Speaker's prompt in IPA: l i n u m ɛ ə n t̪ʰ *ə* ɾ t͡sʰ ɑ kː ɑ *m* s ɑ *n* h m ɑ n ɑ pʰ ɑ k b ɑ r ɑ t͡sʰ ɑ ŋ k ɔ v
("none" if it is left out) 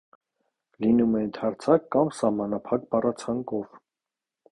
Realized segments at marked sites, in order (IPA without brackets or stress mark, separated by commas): ɑ, m, none